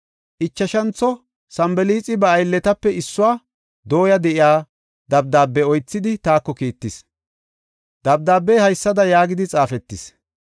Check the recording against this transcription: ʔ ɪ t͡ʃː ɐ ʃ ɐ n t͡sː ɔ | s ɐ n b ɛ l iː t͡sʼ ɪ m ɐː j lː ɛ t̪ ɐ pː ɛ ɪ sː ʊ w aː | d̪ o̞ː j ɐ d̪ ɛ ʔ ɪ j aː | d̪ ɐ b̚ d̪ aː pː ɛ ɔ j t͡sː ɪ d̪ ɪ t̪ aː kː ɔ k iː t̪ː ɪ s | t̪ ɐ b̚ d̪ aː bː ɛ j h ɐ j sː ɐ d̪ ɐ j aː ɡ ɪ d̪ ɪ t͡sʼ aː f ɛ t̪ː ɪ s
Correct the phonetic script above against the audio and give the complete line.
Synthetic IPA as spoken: ʔ ɪ t͡ʃː ɐ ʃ ɐ n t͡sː ɔ | s ɐ m b ɛ l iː t͡sʼ ɪ b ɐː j lː ɛ t̪ ɐ pː ɛ ɪ sː ʊ w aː | d̪ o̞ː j ɐ d̪ ɛ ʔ ɪ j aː | d̪ ɐ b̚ d̪ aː bː ɛ ɔ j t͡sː ɪ d̪ ɪ t̪ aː kː ɔ k iː t̪ː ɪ s | d̪ ɐ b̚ d̪ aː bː ɛ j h ɐ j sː ɐ d̪ ɐ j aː ɡ ɪ d̪ ɪ t͡sʼ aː f ɛ t̪ː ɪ s